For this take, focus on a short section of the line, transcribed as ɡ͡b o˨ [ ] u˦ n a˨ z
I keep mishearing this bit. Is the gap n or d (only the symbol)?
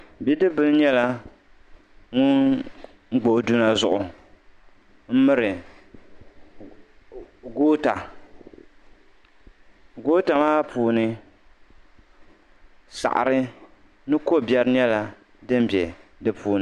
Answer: d